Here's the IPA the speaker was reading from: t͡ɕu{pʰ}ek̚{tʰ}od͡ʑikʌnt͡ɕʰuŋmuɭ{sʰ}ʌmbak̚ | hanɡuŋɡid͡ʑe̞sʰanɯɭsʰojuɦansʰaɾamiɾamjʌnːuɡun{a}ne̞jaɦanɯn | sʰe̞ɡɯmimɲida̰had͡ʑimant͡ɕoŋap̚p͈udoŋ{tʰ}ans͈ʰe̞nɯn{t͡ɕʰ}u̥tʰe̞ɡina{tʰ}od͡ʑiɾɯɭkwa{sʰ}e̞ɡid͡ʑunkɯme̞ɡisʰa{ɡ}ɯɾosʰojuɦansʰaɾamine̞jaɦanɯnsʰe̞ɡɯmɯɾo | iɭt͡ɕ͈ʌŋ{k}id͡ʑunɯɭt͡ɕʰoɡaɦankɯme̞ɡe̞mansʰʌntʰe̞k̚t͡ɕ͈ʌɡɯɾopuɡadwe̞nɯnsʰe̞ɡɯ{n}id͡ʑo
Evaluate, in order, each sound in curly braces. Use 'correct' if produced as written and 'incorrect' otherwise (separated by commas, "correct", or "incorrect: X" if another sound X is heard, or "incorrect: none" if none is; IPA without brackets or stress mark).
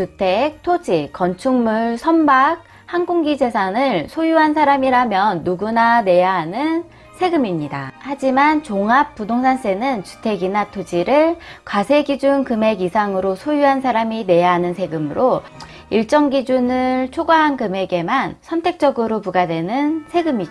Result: incorrect: tʰ, correct, correct, correct, incorrect: sʰ, incorrect: t͡ɕ, correct, correct, incorrect: ŋ, incorrect: ɡ, incorrect: m